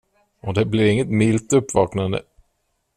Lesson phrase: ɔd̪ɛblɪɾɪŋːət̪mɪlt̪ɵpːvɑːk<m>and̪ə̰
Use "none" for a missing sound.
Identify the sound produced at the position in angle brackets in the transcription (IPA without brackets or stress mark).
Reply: n